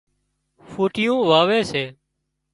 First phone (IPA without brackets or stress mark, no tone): f